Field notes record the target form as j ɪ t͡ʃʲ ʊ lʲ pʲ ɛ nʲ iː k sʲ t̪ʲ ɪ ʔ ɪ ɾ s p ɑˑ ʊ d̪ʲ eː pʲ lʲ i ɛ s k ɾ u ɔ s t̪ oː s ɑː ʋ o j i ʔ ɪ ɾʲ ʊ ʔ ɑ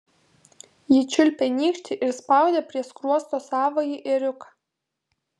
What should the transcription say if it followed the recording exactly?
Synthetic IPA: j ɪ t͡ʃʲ ʊ lʲ pʲ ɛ nʲ iː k ʃʲ t̪ʲ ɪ ʔ ɪ ɾ s p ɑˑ ʊ d̪ʲ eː pʲ ɾʲ i ɛ s k ɾ u ɔ s t̪ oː s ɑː ʋ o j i ʔ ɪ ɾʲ ʊ k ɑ